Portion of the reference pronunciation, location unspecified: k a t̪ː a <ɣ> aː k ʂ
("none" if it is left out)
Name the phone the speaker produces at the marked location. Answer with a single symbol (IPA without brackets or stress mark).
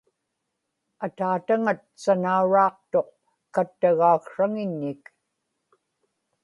ɣ